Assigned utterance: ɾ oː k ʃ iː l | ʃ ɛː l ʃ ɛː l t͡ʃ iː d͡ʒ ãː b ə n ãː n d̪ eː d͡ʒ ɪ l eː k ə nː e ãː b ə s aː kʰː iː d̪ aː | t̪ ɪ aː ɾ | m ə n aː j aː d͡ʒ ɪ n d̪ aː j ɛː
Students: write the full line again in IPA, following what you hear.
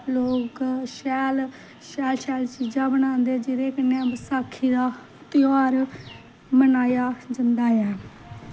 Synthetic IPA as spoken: l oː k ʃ ɛː l | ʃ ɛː l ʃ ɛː l t͡ʃ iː d͡ʒ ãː b ə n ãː n d̪ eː d͡ʒ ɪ ɾ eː k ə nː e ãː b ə s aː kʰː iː d̪ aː | t̪ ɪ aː ɾ | m ə n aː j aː d͡ʒ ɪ n d̪ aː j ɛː